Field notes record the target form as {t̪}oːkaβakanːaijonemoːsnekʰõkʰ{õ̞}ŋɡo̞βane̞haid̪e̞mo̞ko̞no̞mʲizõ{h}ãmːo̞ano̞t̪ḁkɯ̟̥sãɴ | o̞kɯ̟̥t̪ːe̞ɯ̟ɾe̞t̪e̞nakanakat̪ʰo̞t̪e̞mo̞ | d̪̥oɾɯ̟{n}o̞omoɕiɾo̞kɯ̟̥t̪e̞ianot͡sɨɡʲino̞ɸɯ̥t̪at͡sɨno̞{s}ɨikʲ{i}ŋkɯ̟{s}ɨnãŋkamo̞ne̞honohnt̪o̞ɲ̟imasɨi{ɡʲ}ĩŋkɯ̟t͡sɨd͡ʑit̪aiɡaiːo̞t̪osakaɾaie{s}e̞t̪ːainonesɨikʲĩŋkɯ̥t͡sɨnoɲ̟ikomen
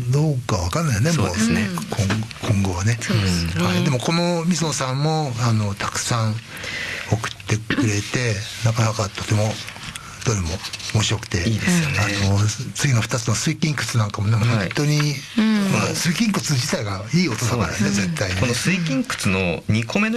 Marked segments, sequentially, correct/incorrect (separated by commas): incorrect, correct, incorrect, incorrect, correct, incorrect, incorrect, incorrect, incorrect